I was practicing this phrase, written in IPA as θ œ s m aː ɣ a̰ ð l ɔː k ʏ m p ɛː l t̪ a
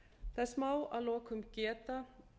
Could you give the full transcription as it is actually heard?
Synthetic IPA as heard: θ ɛ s m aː w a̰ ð l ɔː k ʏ m c ɛː t̪ a